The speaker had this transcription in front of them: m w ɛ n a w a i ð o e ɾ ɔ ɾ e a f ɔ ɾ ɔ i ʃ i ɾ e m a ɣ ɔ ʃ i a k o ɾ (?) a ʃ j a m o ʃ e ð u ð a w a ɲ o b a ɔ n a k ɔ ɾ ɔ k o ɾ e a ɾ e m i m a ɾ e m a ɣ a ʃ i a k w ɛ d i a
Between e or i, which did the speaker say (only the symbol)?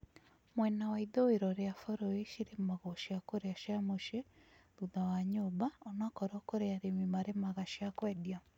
e